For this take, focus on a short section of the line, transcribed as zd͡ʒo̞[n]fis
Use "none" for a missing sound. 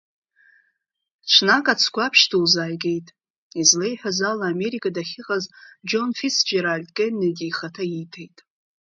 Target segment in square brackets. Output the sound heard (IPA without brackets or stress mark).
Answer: n